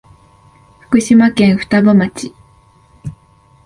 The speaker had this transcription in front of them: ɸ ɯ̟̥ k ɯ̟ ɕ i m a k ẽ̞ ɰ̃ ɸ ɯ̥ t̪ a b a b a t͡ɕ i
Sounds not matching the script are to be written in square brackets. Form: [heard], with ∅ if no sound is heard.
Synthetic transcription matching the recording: ɸ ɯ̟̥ k ɯ̟ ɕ i m a k ẽ̞ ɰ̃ ɸ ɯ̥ t̪ a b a [m] a t͡ɕ i